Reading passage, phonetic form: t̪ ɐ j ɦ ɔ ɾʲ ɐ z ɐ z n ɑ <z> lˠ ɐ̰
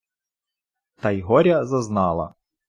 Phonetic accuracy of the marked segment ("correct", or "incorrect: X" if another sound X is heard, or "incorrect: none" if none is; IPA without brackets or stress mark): incorrect: none